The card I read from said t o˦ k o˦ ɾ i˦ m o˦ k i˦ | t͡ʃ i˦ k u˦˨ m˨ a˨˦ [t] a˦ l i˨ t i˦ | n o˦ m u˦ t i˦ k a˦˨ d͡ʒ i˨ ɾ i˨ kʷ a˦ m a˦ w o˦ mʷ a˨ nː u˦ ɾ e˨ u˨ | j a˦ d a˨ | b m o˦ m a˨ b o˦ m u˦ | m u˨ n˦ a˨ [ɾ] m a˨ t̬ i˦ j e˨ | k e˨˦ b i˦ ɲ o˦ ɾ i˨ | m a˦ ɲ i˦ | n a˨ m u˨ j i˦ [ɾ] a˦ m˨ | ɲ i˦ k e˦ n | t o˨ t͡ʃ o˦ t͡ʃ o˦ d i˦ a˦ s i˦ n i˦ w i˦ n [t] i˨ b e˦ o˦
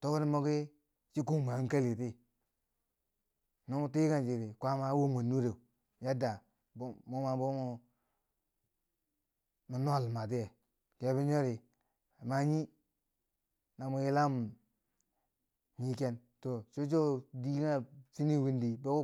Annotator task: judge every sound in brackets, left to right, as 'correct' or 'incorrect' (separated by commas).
incorrect, incorrect, incorrect, incorrect